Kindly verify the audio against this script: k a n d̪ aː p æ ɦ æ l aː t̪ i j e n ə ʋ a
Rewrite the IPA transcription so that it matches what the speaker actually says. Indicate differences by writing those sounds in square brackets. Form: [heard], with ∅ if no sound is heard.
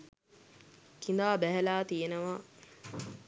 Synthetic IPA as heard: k [i] n d̪ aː [b] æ ɦ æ l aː t̪ i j e n ə ʋ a